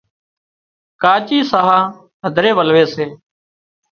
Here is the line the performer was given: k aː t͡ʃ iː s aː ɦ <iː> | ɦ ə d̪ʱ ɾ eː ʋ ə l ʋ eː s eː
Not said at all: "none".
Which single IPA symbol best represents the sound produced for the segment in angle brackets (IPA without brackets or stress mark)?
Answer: aː